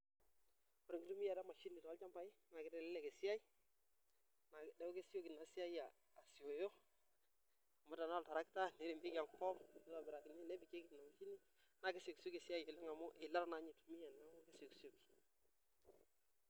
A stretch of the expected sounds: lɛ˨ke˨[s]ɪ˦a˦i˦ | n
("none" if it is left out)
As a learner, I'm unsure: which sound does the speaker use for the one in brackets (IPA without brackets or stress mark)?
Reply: s